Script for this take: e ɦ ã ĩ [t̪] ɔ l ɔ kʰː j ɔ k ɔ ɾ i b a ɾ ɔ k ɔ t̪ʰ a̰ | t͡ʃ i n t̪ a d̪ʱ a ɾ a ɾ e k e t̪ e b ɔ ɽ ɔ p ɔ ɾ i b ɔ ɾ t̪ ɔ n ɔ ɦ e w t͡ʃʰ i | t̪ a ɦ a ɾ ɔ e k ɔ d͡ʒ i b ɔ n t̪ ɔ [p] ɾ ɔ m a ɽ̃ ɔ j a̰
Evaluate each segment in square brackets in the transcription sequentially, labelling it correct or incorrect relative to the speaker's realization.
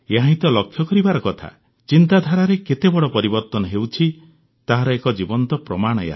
correct, correct

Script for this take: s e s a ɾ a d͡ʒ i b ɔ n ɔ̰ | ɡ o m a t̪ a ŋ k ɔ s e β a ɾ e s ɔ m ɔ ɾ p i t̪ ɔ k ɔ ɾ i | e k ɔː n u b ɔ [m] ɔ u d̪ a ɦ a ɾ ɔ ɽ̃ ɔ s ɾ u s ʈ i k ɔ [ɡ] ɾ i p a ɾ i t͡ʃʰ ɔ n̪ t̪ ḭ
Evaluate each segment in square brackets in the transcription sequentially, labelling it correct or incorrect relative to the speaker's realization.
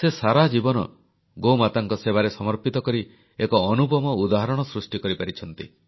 correct, incorrect: none

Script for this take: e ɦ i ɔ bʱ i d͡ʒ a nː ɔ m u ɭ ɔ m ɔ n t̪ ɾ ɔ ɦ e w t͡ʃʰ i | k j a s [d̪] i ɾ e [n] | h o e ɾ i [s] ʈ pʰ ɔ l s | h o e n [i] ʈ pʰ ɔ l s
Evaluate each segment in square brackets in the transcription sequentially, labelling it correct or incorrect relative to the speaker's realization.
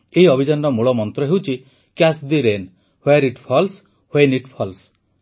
correct, correct, incorrect: none, correct

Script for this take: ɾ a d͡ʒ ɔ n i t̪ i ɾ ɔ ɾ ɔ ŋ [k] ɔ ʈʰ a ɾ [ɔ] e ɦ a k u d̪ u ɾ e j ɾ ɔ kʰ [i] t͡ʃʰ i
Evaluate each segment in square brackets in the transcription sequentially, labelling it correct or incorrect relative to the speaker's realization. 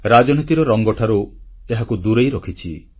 incorrect: ɡ, incorrect: u, correct

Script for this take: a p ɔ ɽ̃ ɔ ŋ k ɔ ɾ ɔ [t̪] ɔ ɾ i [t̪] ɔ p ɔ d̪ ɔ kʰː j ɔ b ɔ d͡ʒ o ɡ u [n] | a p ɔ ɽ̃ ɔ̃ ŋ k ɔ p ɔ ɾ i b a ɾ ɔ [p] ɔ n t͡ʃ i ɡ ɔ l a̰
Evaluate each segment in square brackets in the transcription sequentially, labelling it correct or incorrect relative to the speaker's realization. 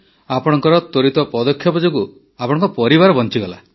correct, correct, incorrect: none, incorrect: b

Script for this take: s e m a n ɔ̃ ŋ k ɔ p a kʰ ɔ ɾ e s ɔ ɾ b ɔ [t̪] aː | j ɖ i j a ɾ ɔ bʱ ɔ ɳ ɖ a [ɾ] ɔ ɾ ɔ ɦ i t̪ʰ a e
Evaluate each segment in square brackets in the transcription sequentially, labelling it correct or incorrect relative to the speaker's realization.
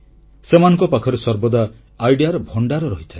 incorrect: d̪, correct

